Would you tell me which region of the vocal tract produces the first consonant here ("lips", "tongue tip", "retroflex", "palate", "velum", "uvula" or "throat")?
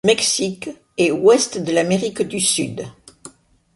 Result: lips